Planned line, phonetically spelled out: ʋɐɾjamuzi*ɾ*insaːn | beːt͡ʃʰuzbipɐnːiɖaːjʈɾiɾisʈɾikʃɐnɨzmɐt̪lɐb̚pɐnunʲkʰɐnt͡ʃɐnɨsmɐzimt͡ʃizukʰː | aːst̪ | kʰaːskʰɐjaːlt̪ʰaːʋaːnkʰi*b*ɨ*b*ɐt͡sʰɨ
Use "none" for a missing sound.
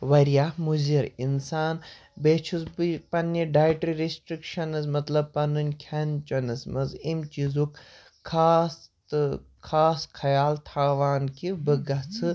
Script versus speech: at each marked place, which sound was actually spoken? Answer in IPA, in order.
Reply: ɾ, b, ɡ

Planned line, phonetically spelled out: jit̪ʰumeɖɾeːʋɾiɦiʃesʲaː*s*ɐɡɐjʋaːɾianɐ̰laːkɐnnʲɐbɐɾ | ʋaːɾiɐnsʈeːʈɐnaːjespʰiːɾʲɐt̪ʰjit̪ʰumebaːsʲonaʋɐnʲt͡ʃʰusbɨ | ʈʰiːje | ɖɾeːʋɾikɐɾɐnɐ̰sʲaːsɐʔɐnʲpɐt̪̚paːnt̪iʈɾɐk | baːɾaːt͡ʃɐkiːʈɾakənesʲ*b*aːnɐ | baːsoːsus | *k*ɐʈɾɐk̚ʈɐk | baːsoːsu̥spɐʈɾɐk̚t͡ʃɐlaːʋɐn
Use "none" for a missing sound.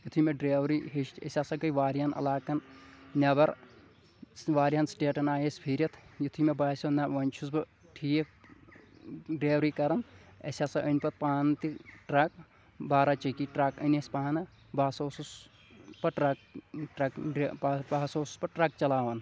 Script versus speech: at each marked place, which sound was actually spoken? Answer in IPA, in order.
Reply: s, p, p

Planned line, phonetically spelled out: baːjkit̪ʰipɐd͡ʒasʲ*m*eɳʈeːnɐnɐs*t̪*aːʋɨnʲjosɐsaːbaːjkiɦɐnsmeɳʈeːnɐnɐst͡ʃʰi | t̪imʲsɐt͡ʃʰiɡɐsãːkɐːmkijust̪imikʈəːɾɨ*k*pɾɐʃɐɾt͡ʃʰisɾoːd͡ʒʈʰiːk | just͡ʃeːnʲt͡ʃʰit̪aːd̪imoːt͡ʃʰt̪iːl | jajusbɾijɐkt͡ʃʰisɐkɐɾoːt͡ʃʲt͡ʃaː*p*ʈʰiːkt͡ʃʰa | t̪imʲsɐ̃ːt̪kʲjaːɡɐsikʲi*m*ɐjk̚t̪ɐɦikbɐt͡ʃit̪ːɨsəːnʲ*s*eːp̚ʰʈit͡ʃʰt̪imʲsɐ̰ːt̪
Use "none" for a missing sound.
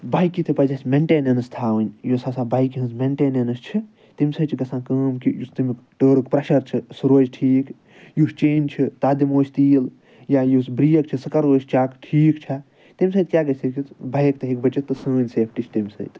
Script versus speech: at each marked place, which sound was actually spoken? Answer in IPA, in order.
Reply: m, t̪ʰ, k, k, b, s

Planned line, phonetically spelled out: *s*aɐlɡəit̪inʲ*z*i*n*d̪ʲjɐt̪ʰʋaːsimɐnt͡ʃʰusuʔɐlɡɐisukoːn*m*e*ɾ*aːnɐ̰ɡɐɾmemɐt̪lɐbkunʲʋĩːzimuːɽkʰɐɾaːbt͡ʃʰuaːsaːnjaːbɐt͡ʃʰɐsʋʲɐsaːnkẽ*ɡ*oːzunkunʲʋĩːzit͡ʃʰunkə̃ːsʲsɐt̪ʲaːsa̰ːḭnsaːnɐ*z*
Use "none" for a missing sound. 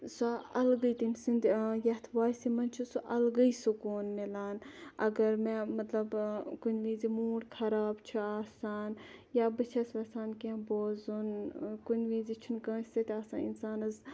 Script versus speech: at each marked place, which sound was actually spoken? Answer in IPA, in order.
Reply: s, s, n, m, l, b, z

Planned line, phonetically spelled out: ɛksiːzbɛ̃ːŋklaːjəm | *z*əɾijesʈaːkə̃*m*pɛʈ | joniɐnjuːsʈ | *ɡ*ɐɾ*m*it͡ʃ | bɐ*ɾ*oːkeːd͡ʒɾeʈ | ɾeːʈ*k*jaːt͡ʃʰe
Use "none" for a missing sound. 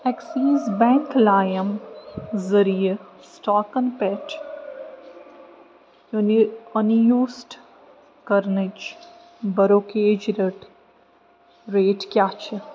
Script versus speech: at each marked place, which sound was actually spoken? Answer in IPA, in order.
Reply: z, n, k, n, ɾ, k

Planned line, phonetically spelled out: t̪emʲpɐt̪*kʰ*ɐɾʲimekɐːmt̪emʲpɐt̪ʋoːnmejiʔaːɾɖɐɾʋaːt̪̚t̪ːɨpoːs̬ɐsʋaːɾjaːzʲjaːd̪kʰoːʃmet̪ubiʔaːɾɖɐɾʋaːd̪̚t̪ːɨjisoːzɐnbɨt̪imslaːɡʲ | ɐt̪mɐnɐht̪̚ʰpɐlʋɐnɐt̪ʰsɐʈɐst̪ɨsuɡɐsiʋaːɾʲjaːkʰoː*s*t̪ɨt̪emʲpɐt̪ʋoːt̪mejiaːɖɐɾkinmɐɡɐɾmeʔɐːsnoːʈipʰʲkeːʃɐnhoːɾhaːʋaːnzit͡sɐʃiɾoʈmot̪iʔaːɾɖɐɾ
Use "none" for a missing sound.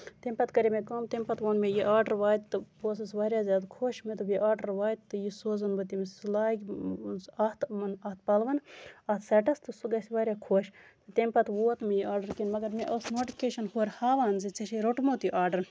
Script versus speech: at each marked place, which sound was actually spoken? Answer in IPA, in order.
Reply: k, ʃ

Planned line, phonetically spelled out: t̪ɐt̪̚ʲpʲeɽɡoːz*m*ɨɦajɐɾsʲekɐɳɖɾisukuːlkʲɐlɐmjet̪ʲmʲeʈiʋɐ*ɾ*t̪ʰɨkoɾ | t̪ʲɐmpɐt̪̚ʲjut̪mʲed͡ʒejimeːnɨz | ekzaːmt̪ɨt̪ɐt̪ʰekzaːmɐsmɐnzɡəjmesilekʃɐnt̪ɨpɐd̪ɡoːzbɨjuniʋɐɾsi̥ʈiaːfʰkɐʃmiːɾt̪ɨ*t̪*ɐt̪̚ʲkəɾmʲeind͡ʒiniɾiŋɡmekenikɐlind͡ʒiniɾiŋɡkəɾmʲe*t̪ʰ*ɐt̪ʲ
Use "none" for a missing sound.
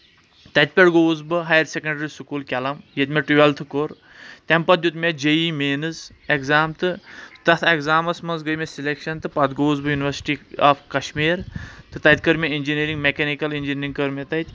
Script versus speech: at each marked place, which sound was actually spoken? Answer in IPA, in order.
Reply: b, l, t̪, t̪

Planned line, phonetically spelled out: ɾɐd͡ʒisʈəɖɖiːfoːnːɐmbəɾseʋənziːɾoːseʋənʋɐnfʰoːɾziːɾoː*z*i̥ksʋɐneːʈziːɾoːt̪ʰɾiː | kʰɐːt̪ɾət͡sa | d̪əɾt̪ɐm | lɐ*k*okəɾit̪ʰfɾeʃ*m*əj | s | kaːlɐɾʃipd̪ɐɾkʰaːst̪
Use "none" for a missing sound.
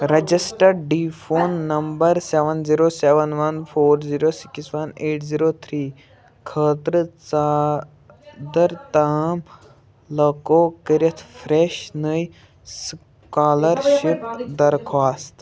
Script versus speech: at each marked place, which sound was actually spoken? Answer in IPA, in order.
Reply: s, k, n

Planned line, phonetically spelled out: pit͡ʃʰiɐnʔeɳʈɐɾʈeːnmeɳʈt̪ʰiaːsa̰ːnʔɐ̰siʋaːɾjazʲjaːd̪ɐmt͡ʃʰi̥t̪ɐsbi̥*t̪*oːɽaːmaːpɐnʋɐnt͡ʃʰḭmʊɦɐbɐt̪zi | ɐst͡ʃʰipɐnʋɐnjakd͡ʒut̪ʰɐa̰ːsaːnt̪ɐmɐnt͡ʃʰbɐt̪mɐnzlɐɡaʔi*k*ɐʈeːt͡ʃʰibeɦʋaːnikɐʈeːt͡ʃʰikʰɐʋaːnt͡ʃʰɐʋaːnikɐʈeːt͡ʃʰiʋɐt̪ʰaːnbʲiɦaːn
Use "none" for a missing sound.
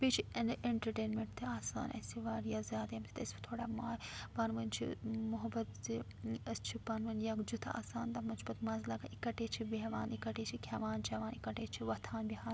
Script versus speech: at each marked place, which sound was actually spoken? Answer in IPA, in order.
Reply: t̪ʰ, k

